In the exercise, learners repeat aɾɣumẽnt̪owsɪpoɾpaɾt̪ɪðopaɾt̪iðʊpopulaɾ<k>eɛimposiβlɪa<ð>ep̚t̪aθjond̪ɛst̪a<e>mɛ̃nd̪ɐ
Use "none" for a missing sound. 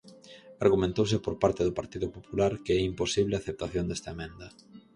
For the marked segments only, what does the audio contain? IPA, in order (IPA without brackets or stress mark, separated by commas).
k, θ, e